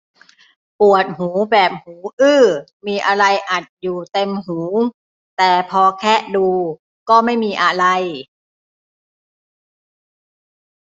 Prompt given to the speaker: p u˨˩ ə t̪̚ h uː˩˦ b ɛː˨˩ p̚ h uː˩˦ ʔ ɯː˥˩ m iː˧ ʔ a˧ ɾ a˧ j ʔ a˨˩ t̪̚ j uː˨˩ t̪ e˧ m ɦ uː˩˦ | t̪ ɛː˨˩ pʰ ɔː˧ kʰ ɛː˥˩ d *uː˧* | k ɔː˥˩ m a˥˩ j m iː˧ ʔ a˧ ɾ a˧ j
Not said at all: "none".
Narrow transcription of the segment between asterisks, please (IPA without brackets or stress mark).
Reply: uː˧